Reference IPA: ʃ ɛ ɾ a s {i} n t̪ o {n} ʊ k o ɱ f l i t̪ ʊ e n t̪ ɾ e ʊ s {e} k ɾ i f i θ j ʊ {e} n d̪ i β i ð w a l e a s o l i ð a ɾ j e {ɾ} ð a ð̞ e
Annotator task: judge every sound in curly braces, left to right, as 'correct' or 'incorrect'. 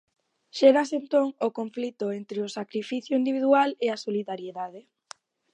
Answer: incorrect: e, incorrect: ŋ, incorrect: a, incorrect: i, incorrect: none

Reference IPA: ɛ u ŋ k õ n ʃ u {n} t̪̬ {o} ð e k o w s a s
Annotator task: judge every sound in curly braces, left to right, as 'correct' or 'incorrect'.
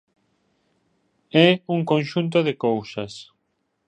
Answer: correct, correct

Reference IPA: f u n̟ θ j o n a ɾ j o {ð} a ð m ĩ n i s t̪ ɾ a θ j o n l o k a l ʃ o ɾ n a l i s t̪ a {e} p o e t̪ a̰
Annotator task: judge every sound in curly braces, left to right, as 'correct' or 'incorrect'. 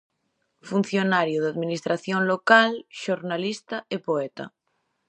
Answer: correct, correct

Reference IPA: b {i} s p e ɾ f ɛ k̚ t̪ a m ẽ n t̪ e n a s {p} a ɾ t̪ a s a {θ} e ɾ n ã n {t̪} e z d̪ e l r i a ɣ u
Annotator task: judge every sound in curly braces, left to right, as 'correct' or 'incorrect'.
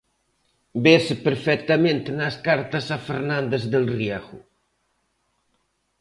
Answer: incorrect: e, incorrect: k, incorrect: f, incorrect: d̪

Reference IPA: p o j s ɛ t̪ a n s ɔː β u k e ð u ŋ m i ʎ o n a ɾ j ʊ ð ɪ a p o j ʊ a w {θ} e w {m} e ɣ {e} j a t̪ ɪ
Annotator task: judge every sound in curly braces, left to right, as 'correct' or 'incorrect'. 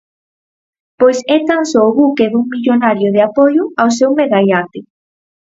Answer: incorrect: s, correct, incorrect: a

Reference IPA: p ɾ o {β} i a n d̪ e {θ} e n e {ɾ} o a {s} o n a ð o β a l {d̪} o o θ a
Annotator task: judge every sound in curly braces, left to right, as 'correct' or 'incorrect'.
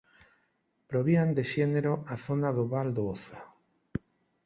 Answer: correct, incorrect: ʃ, correct, incorrect: θ, correct

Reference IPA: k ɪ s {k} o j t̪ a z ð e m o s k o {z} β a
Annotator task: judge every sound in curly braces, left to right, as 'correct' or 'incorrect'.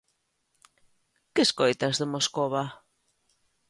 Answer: correct, incorrect: none

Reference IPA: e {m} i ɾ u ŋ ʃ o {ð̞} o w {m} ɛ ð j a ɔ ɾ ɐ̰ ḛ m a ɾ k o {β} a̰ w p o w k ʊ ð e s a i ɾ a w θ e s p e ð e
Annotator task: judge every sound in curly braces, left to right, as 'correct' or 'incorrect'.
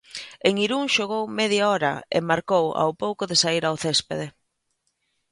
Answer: incorrect: ŋ, incorrect: ɣ̞, correct, incorrect: w

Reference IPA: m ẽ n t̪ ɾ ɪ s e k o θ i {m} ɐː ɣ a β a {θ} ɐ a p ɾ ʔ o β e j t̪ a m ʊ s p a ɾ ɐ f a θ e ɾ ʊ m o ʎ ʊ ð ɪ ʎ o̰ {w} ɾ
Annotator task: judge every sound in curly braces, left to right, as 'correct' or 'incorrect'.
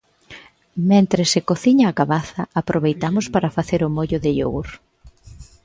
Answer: incorrect: ɲ, correct, correct

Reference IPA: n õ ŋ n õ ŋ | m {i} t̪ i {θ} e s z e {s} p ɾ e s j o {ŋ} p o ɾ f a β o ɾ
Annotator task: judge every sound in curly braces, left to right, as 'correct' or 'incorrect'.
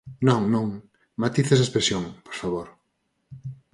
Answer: incorrect: a, correct, correct, correct

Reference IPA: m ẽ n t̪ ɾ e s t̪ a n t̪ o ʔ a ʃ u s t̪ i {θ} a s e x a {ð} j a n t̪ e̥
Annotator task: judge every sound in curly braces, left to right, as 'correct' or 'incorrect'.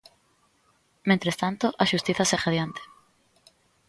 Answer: correct, correct

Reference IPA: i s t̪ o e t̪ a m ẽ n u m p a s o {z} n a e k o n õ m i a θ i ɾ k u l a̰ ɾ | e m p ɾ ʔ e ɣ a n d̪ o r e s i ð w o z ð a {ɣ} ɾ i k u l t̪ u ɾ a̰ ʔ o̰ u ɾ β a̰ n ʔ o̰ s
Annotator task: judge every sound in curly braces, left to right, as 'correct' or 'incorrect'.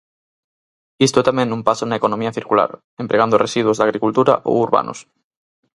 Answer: incorrect: none, correct

